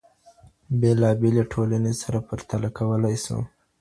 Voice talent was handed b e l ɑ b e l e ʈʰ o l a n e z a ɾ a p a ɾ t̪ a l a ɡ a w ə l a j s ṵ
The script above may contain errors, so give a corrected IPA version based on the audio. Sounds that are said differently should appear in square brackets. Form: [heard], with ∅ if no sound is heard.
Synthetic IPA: b e l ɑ b e l e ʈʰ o l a n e [s] a ɾ a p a ɾ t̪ a l a [k] a w ə l a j s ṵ